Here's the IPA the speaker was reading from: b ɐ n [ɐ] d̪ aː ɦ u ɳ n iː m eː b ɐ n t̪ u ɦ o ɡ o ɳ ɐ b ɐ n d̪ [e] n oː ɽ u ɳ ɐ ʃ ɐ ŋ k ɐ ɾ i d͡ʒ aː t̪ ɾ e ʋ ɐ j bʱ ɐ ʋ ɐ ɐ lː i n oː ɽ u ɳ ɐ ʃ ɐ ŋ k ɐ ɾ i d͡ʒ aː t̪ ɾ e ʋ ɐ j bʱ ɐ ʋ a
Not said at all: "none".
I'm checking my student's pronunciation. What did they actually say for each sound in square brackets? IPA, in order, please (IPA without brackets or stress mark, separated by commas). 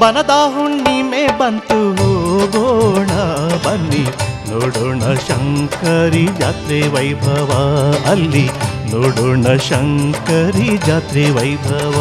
ɐ, i